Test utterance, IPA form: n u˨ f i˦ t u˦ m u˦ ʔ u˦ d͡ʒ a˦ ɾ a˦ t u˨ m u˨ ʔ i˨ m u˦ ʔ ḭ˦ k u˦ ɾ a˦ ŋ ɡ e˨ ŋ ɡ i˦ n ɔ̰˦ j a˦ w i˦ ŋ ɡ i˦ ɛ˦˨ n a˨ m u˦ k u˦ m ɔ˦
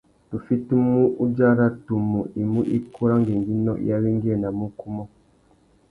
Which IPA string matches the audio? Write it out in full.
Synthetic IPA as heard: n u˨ f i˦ t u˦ m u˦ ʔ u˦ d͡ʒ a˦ ɾ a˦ t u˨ m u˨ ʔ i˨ m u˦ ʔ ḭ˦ k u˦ ɾ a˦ ŋ ɡ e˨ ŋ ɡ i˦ n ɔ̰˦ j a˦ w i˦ ŋ ɡ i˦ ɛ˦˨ n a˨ m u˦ k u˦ m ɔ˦

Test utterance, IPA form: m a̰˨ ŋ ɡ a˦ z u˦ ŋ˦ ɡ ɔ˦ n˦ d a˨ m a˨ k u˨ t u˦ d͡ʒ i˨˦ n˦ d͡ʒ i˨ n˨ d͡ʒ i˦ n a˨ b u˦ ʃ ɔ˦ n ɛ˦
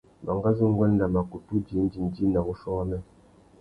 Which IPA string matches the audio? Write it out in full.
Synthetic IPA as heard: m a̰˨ ŋ ɡ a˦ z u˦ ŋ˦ ɡ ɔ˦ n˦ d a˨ m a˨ k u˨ t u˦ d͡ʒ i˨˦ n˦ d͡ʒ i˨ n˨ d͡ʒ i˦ n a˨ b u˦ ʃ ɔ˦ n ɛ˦

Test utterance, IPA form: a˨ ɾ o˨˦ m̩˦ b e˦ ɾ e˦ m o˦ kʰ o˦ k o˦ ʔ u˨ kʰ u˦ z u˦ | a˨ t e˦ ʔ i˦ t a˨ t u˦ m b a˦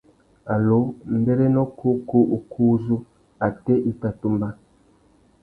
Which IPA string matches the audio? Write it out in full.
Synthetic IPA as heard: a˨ l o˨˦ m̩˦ b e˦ ɾ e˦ n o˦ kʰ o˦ k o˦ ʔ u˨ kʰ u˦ z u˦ | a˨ t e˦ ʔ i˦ t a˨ t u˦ m b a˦

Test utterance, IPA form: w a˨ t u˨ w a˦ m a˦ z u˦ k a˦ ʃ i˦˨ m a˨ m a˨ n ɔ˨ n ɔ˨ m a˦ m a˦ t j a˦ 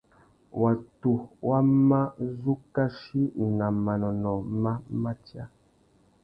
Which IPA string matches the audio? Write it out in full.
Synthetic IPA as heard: w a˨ t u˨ w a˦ m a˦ z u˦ k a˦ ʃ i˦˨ n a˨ m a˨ n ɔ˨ n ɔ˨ m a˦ m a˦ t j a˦

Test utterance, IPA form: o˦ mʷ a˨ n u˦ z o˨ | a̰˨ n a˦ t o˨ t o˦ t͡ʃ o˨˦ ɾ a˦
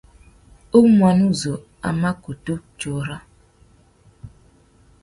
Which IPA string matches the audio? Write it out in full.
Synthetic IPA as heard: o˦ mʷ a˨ n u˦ z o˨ | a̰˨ m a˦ k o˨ t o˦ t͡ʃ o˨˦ ɾ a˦

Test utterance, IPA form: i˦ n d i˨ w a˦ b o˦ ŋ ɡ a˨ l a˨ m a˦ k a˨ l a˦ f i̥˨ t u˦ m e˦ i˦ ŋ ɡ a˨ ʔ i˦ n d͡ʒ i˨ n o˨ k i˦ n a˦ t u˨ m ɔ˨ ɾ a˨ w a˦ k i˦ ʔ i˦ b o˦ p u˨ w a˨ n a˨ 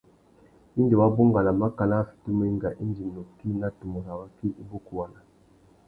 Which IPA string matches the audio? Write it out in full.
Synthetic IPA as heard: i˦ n d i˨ w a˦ b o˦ ŋ ɡ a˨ l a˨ m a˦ k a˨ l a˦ f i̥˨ t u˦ m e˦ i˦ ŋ ɡ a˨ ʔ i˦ n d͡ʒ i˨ n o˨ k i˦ n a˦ t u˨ m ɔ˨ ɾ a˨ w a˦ k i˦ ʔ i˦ b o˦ k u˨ w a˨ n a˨

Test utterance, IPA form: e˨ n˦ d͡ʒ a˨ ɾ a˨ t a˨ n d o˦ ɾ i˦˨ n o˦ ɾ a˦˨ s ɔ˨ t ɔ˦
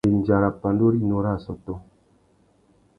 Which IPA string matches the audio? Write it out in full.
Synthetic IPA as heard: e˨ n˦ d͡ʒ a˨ ɾ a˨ p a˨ n d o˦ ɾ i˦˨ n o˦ ɾ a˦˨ s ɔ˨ t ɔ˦

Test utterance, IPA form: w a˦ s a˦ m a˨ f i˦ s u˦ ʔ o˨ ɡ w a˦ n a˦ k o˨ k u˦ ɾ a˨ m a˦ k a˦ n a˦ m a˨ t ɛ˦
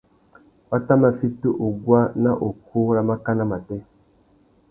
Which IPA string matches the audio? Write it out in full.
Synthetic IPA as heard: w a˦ t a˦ m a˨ f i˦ t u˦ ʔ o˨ ɡ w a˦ n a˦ ʔ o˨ k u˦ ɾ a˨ m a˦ k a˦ n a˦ m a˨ t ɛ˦

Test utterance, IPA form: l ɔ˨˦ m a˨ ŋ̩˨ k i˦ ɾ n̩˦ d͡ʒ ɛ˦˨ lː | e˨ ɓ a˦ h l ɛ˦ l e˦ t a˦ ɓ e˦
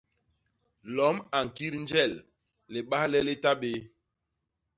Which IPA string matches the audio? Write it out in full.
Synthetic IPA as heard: l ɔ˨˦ m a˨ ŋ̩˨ k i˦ ɾ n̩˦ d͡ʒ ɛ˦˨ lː | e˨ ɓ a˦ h l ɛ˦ l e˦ t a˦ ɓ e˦

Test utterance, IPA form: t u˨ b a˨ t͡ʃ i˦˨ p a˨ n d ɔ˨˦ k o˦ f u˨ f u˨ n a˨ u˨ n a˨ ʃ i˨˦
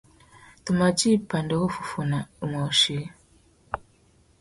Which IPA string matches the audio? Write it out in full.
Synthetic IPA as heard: t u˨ m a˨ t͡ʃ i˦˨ p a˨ n d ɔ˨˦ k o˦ f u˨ f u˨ n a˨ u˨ m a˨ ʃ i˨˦

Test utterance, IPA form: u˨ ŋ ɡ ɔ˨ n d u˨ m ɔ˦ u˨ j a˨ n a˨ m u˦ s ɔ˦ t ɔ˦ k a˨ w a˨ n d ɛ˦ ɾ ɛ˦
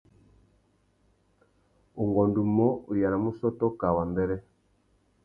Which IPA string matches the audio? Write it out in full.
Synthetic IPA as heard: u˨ ŋ ɡ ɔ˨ n d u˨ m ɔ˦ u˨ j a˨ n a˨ m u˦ s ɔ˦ t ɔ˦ k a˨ w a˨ n d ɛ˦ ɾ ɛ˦

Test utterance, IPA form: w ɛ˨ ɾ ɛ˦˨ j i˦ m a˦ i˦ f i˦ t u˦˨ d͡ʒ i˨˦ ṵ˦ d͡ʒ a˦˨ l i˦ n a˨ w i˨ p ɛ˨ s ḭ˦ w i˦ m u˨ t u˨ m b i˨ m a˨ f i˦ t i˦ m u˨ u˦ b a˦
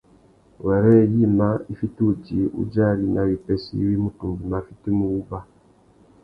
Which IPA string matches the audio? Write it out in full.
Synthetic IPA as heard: w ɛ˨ ɾ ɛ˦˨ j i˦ m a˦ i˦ f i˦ t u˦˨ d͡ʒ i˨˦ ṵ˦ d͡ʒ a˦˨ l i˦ n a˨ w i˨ p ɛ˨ s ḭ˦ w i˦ m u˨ t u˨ m b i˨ m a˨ f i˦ t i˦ m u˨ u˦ b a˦

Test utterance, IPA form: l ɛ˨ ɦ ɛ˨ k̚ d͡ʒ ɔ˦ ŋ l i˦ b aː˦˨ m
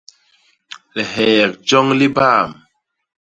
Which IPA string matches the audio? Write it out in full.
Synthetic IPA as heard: l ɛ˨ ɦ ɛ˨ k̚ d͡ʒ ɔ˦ ŋ l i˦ b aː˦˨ m

